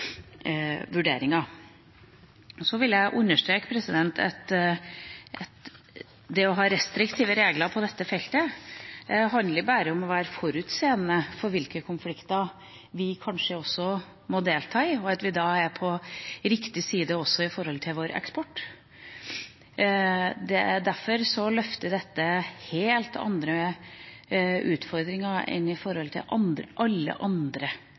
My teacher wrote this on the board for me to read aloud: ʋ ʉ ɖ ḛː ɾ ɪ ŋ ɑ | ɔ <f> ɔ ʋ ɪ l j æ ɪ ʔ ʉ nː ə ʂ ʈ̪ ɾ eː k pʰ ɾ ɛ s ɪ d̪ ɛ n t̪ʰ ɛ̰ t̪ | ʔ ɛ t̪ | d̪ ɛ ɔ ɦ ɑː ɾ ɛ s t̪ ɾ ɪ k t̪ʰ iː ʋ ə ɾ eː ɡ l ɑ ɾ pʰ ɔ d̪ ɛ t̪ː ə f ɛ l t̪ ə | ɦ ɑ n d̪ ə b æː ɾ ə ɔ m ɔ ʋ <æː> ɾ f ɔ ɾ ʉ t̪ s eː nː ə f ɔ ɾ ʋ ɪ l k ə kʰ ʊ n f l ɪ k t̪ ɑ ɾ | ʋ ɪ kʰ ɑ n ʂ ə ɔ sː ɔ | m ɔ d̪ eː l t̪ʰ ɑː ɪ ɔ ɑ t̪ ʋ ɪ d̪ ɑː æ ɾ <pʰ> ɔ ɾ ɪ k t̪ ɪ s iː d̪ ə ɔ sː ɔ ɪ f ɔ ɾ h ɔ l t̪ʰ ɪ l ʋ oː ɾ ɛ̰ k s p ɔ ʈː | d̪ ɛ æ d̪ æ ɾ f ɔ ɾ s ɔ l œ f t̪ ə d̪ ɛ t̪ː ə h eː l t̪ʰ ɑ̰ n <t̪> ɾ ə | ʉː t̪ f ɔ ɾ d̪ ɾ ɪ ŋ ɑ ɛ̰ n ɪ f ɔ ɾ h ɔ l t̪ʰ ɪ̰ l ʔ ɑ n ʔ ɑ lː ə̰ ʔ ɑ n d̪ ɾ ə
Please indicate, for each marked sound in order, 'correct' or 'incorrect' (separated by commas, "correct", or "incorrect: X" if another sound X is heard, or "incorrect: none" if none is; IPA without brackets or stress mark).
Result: incorrect: s, correct, correct, incorrect: d̪